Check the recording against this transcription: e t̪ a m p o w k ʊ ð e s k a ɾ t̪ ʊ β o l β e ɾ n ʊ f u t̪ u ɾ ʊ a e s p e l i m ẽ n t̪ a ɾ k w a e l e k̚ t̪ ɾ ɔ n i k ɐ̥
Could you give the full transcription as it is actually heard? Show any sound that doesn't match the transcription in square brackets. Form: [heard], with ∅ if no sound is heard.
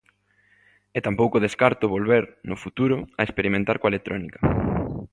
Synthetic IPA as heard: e t̪ a m p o w k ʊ ð e s k a ɾ t̪ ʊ β o l β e ɾ n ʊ f u t̪ u ɾ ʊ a e s p e [ɾ] i m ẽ n t̪ a ɾ k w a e l e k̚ t̪ ɾ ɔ n i k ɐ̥